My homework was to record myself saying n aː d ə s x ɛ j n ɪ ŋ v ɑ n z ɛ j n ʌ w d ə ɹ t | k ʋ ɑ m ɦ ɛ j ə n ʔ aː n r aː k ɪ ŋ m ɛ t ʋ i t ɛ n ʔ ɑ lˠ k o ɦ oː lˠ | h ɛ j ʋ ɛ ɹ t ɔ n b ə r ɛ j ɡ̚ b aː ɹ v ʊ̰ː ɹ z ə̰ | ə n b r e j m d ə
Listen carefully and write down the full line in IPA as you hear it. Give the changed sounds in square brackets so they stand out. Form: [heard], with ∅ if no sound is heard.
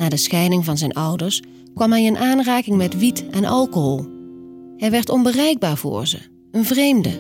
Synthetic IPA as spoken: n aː d ə s x ɛ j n ɪ ŋ v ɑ n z ɛ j n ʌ w d ə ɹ [s] | k ʋ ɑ m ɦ ɛ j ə n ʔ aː n r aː k ɪ ŋ m ɛ t ʋ i t ɛ n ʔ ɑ lˠ k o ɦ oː lˠ | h ɛ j ʋ ɛ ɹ t ɔ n b ə r ɛ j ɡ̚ b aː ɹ v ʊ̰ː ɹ z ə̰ | ə n [v] r e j m d ə